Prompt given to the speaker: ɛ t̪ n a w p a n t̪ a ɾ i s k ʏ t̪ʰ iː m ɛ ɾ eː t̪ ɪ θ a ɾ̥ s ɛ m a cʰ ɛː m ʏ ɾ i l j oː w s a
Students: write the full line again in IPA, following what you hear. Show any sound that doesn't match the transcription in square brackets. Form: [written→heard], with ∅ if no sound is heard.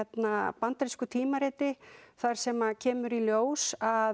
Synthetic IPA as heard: ɛ t̪ n a [w→∅] p a n t̪ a ɾ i s k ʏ t̪ʰ iː m [ɛ→a] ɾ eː t̪ ɪ θ a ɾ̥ s ɛ m a cʰ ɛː m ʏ ɾ i l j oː w s a